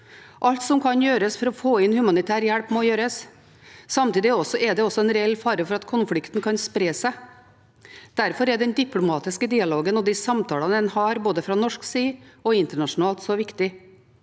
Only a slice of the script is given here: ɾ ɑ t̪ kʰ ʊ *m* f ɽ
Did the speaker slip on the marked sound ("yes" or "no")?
yes